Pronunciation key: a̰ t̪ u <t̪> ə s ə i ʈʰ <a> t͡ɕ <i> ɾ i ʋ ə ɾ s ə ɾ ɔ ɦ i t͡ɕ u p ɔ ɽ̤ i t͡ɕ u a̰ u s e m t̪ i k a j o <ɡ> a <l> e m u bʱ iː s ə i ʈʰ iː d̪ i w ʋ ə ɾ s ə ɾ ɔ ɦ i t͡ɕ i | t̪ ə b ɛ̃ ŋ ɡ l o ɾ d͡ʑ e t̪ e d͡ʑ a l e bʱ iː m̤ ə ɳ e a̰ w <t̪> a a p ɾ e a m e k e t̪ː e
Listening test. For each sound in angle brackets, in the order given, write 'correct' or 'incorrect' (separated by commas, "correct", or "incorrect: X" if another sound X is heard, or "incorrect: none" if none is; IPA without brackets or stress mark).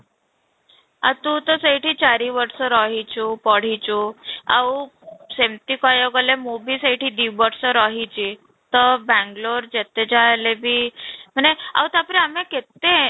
correct, incorrect: i, incorrect: a, correct, correct, correct